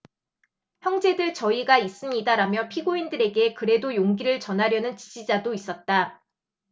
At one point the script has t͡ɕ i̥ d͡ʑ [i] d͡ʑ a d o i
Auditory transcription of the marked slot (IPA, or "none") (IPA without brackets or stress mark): i